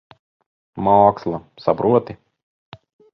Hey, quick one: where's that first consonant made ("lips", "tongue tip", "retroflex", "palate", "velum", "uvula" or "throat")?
lips